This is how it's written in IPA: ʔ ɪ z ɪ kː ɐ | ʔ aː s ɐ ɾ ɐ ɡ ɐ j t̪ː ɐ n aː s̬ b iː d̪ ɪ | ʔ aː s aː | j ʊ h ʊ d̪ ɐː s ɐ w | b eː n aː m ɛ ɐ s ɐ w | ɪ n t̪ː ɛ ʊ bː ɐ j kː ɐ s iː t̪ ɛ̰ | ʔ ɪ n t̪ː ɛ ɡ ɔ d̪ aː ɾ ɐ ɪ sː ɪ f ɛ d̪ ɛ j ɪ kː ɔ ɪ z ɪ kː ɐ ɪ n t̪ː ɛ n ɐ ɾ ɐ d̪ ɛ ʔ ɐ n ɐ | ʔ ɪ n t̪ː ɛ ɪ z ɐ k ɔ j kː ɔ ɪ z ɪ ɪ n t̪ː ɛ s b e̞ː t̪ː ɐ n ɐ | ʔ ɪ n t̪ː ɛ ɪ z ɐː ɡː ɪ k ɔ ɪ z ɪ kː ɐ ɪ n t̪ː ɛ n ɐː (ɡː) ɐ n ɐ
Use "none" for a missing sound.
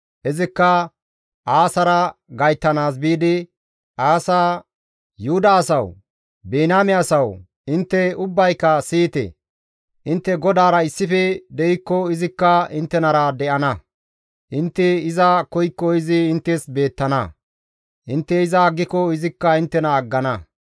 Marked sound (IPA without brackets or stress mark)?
ɡː